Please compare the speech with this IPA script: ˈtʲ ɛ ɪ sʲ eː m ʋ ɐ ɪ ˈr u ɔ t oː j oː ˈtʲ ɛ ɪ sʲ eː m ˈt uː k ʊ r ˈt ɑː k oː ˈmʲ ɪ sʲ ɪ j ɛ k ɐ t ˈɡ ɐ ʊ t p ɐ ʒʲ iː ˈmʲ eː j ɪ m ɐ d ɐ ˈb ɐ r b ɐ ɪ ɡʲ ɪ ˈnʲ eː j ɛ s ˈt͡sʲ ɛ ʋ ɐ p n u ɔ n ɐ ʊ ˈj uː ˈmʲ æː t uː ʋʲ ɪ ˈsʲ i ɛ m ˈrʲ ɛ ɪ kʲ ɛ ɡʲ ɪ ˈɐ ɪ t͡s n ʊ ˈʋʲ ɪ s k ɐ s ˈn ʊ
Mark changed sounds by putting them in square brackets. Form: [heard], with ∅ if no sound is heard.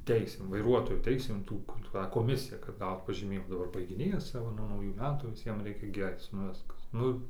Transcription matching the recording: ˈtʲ ɛ ɪ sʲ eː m ʋ ɐ ɪ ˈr u ɔ t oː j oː ˈtʲ ɛ ɪ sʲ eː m ˈt uː k ʊ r ˈt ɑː k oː ˈmʲ ɪ sʲ ɪ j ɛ k ɐ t ˈɡ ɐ ʊ t p ɐ ʒʲ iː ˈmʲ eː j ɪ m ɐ d ɐ ˈb ɐ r b ɐ ɪ ɡʲ ɪ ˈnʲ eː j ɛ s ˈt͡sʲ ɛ ʋ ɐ [∅] n u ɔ n ɐ ʊ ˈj uː ˈmʲ æː t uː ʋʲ ɪ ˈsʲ i ɛ m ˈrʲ ɛ ɪ kʲ ɛ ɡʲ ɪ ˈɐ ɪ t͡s n ʊ ˈʋʲ ɪ s k ɐ s ˈn ʊ